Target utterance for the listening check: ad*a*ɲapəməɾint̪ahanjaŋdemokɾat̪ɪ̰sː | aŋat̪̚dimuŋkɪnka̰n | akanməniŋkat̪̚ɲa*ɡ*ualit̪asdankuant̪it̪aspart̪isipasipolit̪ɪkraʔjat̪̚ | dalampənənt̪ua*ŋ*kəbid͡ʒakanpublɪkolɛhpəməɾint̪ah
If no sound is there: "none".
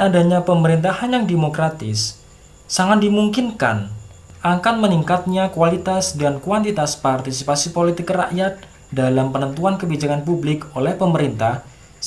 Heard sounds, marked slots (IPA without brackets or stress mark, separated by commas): a, k, n